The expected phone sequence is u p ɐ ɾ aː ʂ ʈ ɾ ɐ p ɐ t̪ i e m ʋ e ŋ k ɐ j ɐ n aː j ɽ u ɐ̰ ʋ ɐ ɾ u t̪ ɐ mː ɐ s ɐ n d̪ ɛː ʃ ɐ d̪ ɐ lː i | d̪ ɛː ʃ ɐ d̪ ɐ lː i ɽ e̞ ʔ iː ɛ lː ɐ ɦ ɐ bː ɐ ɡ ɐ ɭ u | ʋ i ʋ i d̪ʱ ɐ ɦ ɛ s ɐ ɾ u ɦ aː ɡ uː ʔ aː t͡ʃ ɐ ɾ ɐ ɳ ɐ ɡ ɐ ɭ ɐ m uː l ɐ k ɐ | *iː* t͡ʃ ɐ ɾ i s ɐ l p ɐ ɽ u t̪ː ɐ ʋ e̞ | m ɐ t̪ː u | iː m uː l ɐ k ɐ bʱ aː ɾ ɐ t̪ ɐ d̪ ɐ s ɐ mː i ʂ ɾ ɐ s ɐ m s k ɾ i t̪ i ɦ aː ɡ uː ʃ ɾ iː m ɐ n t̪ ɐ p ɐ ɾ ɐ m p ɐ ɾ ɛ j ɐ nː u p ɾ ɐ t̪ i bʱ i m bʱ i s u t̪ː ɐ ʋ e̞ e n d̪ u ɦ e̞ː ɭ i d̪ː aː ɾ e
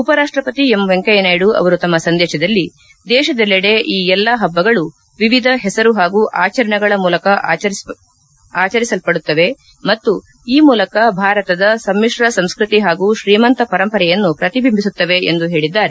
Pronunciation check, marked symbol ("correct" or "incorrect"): incorrect